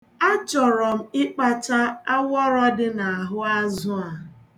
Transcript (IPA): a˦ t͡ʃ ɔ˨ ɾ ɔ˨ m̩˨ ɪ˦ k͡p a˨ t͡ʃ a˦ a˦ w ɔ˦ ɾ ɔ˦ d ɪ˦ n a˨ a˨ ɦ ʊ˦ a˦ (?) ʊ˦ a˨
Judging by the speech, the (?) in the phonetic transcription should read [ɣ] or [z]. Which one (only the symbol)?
z